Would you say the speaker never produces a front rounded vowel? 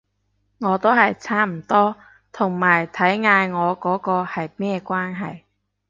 yes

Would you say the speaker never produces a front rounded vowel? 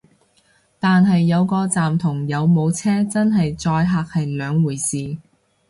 no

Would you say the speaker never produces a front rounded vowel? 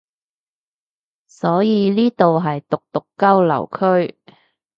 yes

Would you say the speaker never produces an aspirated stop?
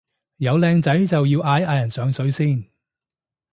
yes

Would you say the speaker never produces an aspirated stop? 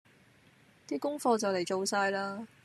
yes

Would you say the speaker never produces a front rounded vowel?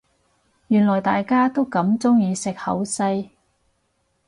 no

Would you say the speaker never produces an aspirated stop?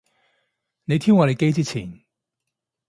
no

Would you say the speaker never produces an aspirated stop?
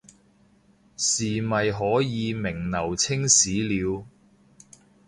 no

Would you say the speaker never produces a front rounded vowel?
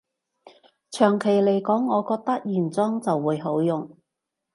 no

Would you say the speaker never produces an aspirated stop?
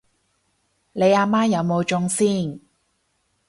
yes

